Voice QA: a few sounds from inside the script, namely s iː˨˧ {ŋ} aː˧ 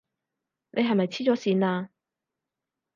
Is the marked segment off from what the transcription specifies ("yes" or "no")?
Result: yes